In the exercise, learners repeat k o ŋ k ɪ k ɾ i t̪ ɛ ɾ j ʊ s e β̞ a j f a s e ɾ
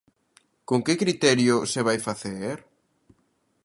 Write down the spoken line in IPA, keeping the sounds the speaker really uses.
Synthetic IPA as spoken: k o ŋ k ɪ k ɾ i t̪ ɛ ɾ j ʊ s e β̞ a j f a θ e ɾ